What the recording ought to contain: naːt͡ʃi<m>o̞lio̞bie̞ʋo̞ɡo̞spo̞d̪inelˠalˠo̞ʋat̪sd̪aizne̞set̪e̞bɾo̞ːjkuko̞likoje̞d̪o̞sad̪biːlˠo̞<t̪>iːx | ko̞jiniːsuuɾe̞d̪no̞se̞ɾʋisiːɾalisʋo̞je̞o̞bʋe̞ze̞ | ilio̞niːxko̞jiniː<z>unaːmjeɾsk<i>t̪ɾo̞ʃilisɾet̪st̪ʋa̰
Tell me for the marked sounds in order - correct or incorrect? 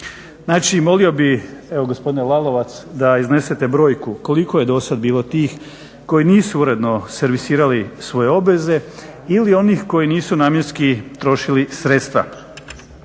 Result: correct, correct, incorrect: s, correct

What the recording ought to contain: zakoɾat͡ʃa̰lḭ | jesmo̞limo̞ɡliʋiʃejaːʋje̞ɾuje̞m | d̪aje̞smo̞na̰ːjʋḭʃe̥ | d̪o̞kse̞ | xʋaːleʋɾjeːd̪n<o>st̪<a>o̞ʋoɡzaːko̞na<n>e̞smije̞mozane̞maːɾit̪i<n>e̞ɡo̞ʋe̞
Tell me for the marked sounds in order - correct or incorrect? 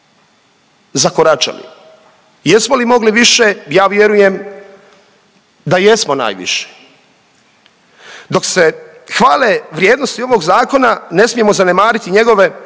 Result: correct, incorrect: i, correct, incorrect: ɲ

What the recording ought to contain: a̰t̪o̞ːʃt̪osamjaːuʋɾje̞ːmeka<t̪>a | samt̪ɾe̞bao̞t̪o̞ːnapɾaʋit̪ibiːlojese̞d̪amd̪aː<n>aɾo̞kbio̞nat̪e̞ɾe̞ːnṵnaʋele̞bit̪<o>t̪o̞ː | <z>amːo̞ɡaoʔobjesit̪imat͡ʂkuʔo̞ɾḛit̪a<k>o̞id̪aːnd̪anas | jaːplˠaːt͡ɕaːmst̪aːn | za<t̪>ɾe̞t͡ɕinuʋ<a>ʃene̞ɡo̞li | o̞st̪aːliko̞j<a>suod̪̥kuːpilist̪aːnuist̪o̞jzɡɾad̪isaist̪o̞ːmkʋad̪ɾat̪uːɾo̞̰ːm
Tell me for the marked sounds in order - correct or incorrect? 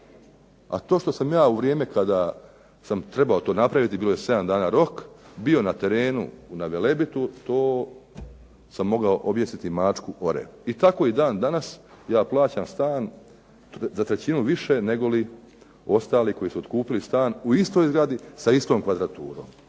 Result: incorrect: d̪, correct, incorrect: u, incorrect: s, correct, correct, incorrect: i, incorrect: i

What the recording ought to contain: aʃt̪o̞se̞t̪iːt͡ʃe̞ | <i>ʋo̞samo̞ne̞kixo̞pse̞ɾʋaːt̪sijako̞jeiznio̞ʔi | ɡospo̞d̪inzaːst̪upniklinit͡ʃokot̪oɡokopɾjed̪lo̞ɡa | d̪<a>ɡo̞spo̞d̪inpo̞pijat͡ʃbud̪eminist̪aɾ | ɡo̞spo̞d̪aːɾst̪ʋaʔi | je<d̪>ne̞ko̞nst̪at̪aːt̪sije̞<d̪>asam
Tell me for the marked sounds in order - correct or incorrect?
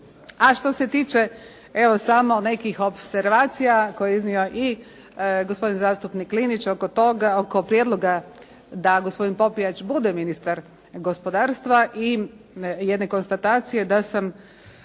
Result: incorrect: e, correct, correct, correct

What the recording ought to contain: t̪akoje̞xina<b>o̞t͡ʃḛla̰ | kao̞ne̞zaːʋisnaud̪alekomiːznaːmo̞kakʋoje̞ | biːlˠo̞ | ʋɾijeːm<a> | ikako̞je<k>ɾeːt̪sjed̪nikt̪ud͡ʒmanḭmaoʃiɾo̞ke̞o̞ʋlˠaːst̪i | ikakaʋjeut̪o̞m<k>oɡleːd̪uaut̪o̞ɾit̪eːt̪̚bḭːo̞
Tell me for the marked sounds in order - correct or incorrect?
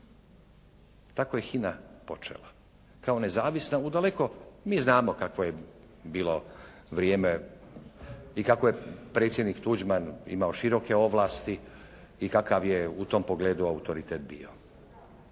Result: incorrect: p, incorrect: e, incorrect: p, incorrect: p

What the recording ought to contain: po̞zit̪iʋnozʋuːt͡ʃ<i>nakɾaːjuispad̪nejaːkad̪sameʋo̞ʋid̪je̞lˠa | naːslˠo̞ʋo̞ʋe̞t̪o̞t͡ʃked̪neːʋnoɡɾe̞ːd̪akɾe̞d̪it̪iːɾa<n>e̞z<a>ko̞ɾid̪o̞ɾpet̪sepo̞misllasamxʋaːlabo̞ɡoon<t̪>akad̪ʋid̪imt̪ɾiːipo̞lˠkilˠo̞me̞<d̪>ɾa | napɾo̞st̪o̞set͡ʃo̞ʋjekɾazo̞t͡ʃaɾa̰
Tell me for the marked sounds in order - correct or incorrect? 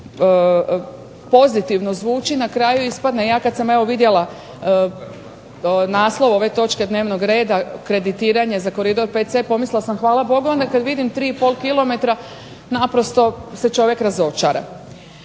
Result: correct, incorrect: ɲ, correct, incorrect: d̪, incorrect: t̪

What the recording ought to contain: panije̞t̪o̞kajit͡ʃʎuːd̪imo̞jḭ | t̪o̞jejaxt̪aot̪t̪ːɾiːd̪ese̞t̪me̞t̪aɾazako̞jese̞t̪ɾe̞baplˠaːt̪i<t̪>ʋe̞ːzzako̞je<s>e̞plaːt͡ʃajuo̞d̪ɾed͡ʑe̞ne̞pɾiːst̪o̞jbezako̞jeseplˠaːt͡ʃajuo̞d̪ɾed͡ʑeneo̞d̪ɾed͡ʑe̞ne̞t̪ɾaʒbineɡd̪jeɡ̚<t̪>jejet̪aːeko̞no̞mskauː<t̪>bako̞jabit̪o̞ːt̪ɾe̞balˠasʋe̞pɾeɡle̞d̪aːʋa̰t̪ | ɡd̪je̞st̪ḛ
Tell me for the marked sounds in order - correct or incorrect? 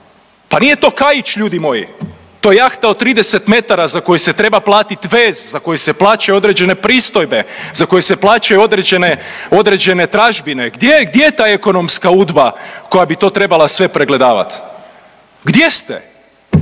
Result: correct, correct, incorrect: d̪, incorrect: d̪

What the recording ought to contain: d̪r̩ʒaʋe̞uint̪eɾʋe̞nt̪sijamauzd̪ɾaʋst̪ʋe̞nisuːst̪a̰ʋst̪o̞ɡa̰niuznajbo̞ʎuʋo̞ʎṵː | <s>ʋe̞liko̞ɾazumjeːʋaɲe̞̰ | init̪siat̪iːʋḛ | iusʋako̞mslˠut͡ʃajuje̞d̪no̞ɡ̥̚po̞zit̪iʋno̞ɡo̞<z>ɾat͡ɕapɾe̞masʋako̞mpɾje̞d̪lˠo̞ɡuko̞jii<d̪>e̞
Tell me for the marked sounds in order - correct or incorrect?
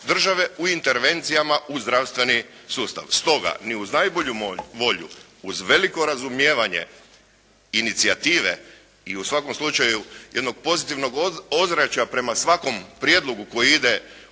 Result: incorrect: z, correct, correct

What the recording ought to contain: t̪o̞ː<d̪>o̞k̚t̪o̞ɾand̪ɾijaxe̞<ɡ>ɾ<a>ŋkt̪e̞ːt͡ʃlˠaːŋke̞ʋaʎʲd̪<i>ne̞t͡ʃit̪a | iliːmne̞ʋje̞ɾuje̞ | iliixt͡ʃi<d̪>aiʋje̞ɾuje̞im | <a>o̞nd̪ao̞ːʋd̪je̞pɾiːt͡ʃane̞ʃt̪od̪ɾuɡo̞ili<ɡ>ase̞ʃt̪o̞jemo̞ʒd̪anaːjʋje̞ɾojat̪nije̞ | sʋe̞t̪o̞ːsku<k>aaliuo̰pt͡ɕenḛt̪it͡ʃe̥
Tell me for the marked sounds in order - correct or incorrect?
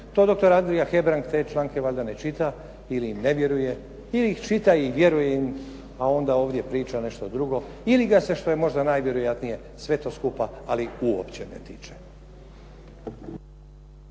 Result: correct, incorrect: b, correct, incorrect: a, incorrect: t̪, correct, correct, incorrect: p

